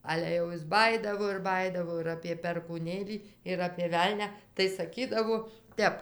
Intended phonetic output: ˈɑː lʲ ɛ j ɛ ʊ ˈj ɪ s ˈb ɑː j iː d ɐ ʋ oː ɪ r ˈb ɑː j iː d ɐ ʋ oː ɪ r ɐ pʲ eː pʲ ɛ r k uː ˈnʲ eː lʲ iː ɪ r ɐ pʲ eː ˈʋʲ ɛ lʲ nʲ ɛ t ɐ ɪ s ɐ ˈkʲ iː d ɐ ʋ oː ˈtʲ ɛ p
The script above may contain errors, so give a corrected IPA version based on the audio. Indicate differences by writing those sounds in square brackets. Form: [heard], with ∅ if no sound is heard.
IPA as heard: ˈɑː lʲ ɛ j ɛ ʊ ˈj ɪ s ˈb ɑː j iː d ɐ ʋ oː ɪ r ˈb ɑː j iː d ɐ ʋ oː ɪ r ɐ pʲ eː pʲ ɛ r k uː ˈnʲ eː lʲ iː ɪ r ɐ pʲ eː ˈʋʲ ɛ lʲ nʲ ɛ t ɐ ɪ s ɐ ˈkʲ iː d ɐ ʋ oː ˈtʲ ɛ p